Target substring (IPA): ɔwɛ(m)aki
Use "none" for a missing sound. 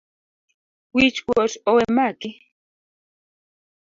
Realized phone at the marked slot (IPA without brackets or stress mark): m